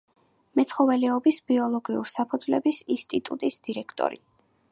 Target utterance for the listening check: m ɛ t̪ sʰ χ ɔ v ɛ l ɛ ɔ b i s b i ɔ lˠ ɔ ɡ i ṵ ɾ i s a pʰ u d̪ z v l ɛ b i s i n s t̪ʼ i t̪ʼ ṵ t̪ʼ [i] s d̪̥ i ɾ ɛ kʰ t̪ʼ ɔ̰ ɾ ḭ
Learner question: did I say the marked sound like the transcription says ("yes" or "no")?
yes